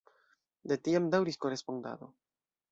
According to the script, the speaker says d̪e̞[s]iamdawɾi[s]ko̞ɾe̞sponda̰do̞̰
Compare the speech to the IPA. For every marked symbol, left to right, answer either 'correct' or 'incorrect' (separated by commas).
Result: incorrect, correct